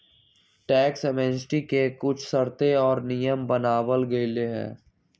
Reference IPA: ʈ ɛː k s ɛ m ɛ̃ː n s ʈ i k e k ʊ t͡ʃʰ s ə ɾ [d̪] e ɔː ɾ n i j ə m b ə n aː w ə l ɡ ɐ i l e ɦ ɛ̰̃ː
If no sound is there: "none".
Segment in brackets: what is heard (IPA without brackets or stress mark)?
t̪